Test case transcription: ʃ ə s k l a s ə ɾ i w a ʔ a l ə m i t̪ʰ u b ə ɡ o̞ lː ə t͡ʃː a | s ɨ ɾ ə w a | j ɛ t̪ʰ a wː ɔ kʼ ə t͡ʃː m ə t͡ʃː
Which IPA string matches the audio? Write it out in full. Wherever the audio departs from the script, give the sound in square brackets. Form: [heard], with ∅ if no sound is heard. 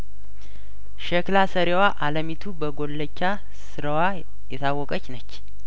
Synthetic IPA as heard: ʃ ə [∅] k l a s ə ɾ [e] w a ʔ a l ə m i t̪ʰ u b ə ɡ o̞ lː ə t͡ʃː a | s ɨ ɾ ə w a | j ɛ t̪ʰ a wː ɔ kʼ ə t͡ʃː [n] ə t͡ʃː